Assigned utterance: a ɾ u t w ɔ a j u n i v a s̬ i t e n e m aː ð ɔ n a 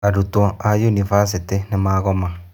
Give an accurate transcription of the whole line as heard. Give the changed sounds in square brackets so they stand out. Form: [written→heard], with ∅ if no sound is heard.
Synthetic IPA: a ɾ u t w ɔ a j u n i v a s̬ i t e n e m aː [ð→ɣ] ɔ [n→m] a